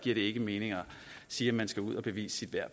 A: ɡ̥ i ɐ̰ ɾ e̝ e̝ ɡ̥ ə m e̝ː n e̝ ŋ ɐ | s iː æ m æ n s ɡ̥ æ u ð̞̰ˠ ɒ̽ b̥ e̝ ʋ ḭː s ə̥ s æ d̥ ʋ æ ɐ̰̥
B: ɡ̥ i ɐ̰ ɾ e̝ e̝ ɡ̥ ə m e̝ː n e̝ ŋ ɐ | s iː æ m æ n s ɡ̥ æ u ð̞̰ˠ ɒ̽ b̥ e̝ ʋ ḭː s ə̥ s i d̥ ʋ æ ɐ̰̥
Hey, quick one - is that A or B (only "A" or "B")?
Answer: B